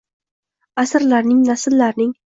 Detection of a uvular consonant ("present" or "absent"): absent